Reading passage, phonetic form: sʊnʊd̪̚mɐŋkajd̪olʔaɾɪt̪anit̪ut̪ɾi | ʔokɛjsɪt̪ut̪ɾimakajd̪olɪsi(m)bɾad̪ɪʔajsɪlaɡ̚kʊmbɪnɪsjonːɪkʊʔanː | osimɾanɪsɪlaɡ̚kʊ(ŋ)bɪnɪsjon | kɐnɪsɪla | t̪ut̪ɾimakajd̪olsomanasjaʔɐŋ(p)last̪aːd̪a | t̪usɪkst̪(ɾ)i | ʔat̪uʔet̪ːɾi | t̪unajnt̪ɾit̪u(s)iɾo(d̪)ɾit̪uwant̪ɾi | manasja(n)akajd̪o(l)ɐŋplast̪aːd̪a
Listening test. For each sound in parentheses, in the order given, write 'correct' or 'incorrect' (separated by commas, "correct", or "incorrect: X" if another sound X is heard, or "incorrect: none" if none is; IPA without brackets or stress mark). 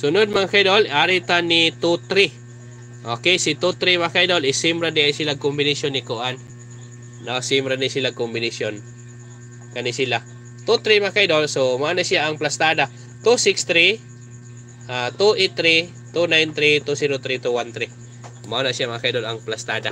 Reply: correct, incorrect: m, correct, correct, correct, incorrect: t̪, incorrect: m, correct